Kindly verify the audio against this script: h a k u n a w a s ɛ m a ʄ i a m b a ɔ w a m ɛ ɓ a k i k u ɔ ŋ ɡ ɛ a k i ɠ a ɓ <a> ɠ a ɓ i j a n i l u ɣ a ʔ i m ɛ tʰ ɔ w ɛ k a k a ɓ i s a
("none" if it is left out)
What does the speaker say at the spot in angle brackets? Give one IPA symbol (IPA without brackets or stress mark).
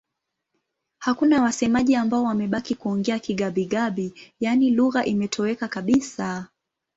i